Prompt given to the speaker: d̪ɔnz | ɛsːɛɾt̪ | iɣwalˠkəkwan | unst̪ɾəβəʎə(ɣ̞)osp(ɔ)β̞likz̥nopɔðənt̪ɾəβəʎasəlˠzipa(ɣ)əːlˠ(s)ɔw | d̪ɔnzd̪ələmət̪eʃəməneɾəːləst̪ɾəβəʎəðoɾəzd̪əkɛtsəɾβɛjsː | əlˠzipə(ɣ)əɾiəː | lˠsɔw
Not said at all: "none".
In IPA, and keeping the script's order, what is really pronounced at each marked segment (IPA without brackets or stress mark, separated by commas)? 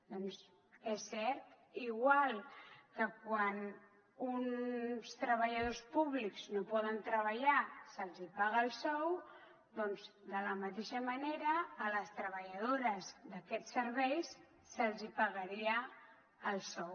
ð̞, u, ɣ, s, ɣ